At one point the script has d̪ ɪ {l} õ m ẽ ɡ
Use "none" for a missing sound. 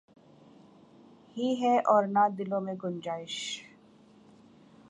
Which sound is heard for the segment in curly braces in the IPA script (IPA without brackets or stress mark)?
l